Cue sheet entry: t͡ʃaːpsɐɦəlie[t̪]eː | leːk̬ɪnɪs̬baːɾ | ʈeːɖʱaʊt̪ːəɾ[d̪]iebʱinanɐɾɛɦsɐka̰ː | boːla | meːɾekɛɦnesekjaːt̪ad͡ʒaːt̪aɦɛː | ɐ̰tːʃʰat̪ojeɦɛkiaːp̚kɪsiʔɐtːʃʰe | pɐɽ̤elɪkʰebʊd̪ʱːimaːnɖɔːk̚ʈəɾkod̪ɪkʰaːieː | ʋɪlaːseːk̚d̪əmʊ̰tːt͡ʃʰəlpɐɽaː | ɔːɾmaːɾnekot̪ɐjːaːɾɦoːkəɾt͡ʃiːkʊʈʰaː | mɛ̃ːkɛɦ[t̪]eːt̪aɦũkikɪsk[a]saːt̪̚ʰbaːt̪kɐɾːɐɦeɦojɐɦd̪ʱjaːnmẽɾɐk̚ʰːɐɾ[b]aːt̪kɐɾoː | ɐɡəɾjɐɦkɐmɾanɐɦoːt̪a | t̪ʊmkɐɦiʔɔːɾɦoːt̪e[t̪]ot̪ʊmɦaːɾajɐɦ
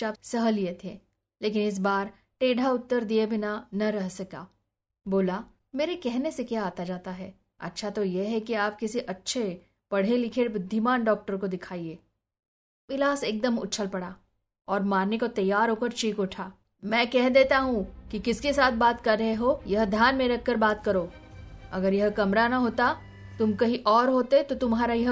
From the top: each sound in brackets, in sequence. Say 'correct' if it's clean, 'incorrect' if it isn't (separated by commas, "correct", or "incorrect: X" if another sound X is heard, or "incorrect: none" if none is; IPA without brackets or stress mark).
incorrect: t̪ʰ, correct, incorrect: d̪, incorrect: e, correct, correct